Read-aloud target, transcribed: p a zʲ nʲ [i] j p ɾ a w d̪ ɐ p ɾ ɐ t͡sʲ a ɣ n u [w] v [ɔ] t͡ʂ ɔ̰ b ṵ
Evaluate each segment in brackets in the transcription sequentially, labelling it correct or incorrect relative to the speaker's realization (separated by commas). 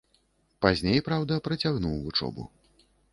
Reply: incorrect, correct, incorrect